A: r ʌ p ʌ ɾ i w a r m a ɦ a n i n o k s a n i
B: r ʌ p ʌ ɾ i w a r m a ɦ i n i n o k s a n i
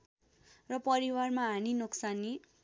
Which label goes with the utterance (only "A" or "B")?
A